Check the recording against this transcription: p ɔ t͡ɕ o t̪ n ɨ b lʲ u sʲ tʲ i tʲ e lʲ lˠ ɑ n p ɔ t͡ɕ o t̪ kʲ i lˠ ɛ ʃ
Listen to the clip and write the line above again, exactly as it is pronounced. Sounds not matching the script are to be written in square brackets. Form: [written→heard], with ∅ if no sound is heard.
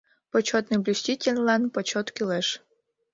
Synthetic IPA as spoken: p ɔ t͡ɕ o t̪ n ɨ b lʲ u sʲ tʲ i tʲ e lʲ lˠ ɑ n p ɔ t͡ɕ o t̪ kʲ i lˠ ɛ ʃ